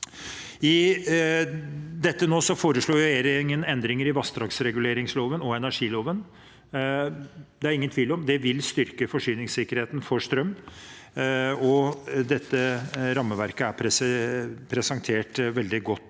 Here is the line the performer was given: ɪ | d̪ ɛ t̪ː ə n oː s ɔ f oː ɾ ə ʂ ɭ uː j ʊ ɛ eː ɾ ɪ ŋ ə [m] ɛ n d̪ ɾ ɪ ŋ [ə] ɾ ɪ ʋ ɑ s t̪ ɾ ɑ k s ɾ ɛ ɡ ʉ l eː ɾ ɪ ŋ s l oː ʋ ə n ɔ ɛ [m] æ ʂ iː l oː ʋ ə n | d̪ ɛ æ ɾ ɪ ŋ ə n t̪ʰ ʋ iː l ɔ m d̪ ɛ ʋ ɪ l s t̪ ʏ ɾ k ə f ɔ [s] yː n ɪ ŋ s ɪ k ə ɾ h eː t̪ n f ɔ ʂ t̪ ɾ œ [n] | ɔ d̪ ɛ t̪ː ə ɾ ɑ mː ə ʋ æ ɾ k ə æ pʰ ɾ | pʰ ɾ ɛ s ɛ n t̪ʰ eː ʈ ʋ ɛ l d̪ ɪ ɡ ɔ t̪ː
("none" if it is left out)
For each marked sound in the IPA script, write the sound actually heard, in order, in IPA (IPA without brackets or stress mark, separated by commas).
n, ə, n, ʂ, m